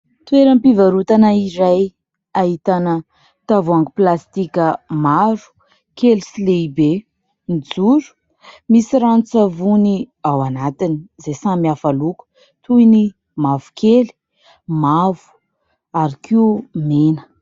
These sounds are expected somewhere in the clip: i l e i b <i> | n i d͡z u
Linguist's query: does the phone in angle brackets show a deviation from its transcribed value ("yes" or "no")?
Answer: yes